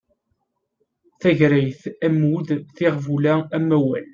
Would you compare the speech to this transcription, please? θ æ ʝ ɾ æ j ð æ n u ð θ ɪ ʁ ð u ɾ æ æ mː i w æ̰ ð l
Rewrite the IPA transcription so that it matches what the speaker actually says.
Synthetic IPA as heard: θ æ ʝ ɾ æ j θ æ m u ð θ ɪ ʁ v u l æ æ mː æ w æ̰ l